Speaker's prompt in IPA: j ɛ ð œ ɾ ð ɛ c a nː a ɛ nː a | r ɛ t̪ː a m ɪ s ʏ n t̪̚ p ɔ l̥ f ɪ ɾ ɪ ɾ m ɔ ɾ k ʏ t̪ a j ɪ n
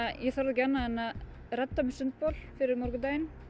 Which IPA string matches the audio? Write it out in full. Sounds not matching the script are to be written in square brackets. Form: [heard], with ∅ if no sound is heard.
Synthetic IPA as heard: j ɛ [θ] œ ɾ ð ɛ c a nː a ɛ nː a | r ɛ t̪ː a m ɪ s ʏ n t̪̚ p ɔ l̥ f ɪ ɾ ɪ ɾ m ɔ ɾ k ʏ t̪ a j ɪ n